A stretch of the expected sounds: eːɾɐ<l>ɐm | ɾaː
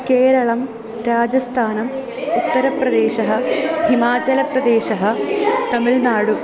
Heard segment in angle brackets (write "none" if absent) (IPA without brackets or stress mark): ɭ